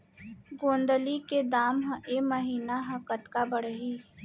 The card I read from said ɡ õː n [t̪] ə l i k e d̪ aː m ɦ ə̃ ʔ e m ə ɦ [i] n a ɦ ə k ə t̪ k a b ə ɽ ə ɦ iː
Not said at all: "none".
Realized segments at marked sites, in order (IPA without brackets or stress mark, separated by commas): d̪, iː